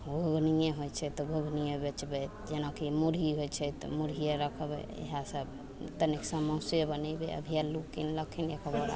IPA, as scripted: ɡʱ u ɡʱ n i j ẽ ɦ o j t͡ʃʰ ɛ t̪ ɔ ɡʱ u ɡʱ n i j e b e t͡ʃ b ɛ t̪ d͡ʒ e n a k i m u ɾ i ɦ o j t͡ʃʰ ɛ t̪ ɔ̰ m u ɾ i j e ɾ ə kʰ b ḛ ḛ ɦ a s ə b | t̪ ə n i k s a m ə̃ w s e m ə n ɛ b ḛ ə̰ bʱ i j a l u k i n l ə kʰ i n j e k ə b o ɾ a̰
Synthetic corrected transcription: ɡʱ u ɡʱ n i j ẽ ɦ o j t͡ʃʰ ɛ t̪ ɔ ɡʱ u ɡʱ n i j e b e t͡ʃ b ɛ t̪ d͡ʒ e n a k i m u ɾ i ɦ o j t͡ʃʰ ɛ t̪ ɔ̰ m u ɾ i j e ɾ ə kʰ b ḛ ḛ ɦ a s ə b | t̪ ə n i k s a m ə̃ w s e b ə n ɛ b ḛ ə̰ bʱ i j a l u k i n l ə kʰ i n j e k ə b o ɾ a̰